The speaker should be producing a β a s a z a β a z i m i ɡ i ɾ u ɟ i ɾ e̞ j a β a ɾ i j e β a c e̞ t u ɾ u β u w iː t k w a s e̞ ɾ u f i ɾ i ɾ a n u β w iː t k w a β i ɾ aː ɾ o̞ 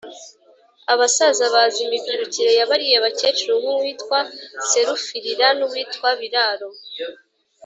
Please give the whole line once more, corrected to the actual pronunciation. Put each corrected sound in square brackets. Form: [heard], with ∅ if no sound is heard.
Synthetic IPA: a β a s a z a β a z i m i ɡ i ɾ u [c] i ɾ e̞ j a β a ɾ i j e β a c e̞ [t͡ʃ] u ɾ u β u w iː t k w a s e̞ ɾ u f i ɾ i ɾ a n u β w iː t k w a β i ɾ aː ɾ o̞

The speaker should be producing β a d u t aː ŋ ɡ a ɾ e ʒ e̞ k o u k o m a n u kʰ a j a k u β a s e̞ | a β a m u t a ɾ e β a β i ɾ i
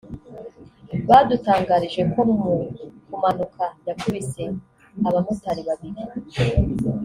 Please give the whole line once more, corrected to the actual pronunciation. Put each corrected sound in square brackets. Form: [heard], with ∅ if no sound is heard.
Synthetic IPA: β a d u t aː ŋ ɡ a ɾ [i] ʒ e̞ k o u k [u] m a n u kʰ a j a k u β [i] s e̞ | a β a m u t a ɾ [i] β a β i ɾ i

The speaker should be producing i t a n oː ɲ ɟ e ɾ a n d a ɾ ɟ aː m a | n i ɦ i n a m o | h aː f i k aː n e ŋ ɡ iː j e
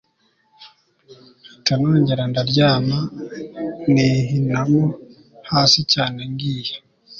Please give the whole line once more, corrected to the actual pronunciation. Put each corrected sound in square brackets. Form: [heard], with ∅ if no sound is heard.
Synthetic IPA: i t a n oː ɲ ɟ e ɾ a n d a ɾ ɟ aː m a | n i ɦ i n a m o | h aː [s] i [c] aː n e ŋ ɡ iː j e

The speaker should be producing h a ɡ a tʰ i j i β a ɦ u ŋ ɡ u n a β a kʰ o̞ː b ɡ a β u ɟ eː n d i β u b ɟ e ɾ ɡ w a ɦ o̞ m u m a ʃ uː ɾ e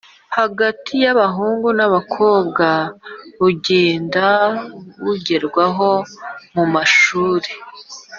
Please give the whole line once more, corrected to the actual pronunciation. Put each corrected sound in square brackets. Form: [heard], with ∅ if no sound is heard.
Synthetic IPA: h a ɡ a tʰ i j [a] β a ɦ [uː] ŋ ɡ u n a β a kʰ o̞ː b ɡ a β u ɟ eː n d [a] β u [∅] ɟ e ɾ ɡ w a ɦ o̞ m u m a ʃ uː ɾ e

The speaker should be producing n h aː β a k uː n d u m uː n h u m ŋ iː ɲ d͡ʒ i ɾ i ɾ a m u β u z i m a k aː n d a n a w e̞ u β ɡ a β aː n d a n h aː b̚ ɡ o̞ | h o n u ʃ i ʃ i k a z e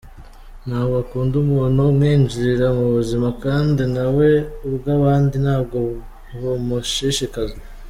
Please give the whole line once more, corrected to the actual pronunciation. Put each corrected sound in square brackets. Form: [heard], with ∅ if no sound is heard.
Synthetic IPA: n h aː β a k uː n d u m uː n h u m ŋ iː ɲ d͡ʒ i ɾ i ɾ a m u β u z i m a k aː n d [i] n a w e̞ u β ɡ a β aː n d [i] n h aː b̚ ɡ o̞ | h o [m] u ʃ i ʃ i k a z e

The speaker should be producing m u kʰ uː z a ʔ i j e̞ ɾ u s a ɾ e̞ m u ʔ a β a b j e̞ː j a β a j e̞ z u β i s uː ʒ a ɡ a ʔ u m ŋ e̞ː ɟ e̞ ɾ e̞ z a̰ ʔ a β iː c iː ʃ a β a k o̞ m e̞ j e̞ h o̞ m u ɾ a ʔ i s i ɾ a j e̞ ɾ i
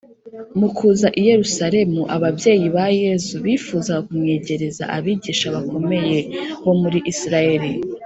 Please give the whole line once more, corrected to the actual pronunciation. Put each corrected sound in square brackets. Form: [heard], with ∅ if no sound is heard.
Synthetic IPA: m u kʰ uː z a ʔ i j e̞ ɾ u s a ɾ e̞ m u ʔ a β a b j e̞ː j [i] β a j e̞ z u β i [f] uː [z] a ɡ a [k] u m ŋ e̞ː ɟ e̞ ɾ e̞ z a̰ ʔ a β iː [ɟ] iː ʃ a β a k o̞ m e̞ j e̞ h o̞ m u ɾ [i] ʔ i s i ɾ a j e̞ ɾ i

